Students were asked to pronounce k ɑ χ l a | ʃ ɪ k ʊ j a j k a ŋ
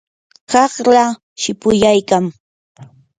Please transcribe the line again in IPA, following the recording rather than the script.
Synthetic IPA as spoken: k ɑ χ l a | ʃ ɪ p ʊ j a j k a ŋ

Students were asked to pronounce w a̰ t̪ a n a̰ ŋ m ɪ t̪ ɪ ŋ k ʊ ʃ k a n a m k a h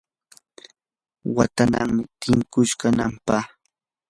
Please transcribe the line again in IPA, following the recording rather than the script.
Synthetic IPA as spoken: w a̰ t̪ a n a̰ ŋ m ɪ t̪ ɪ ŋ k ʊ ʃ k a n a m p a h

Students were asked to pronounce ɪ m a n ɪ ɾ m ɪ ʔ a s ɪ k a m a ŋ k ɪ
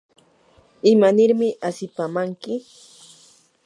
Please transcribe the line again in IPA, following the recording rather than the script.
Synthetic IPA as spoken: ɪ m a n ɪ ɾ m ɪ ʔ a s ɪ p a m a ŋ k ɪ

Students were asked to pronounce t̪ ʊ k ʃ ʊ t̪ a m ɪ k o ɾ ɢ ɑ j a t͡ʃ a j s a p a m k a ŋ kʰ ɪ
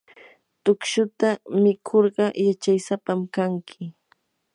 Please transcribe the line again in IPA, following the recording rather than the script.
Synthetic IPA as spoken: t̪ ʊ k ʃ ʊ t̪ a m ɪ kʰ o ɾ ɢ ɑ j a t͡ʃ a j s a p a m k a ŋ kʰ ɪ

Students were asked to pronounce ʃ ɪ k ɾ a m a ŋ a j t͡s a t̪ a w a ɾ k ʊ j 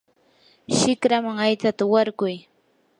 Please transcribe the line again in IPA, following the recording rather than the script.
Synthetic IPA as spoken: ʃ ɪ k ɾ a m a ŋ a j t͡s a t̪ a w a ɾ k ʊ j

